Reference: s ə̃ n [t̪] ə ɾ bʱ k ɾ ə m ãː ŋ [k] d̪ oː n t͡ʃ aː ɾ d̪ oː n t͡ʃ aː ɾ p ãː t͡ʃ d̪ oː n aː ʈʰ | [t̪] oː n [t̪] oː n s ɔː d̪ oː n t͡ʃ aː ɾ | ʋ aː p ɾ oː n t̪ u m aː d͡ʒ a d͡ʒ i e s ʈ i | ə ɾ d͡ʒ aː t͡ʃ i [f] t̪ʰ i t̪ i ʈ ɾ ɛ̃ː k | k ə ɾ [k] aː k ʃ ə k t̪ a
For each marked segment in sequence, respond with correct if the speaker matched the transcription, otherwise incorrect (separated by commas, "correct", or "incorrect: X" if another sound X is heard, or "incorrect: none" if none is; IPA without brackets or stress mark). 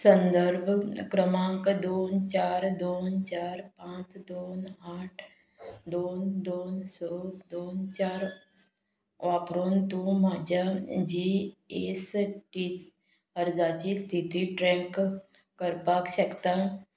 incorrect: d̪, correct, incorrect: d̪, incorrect: d̪, incorrect: s, incorrect: p